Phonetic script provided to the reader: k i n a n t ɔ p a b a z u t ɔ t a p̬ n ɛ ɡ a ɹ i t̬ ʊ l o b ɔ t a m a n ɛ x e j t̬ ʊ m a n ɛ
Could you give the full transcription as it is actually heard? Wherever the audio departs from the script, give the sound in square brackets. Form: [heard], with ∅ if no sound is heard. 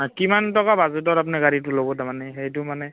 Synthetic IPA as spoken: k i [m] a n t ɔ [k] a b a z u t ɔ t a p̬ n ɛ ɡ a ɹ i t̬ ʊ l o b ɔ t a m a n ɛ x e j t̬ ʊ m a n ɛ